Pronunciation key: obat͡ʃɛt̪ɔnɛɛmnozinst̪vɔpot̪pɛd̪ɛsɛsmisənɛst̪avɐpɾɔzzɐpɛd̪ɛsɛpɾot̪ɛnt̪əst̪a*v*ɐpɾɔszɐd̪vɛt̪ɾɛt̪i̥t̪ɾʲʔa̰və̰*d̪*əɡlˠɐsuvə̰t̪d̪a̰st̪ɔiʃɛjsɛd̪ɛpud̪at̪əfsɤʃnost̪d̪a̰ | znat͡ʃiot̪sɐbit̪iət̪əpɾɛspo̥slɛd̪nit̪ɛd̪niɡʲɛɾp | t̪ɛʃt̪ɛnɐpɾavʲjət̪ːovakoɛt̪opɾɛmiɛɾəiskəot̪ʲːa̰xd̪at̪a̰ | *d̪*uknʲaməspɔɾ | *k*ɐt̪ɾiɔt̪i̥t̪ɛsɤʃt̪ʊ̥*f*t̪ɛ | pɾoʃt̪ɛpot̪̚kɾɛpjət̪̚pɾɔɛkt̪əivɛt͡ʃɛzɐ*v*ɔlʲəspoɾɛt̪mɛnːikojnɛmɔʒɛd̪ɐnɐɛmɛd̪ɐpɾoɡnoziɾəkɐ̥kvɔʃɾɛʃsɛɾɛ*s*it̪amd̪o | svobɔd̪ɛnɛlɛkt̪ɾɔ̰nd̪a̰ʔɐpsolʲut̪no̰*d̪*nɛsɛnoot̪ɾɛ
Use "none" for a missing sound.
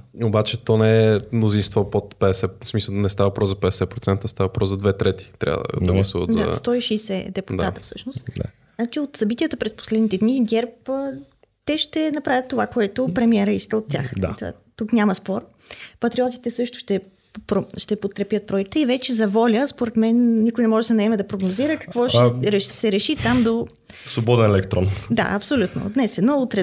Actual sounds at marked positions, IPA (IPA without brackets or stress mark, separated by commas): v, d̪, t̪, p, ʃ, v, ʃ, d̪